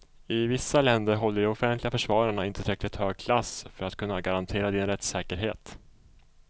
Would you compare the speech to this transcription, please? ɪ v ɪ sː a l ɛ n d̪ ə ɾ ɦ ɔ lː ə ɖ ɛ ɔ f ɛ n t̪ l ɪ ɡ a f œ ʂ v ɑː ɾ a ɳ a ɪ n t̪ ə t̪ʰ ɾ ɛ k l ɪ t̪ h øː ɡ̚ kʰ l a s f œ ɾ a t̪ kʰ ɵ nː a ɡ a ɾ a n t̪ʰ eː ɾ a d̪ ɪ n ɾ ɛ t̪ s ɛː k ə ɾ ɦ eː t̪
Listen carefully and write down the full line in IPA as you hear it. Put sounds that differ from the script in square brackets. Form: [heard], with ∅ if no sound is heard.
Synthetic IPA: ɪ v ɪ sː a l ɛ n d̪ ə ɾ ɦ ɔ lː ə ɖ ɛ ɔ f ɛ n t̪ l ɪ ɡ a f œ ʂ v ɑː ɾ a ɳ a ɪ n t̪ ə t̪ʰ ɾ ɛ k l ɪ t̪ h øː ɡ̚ kʰ l a s f œ ɾ a t̪ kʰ ɵ nː a ɡ a ɾ a n t̪ʰ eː ɾ a d̪ ɪ n ɾ ɛ t̪ s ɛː k ə ɾ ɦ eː t̪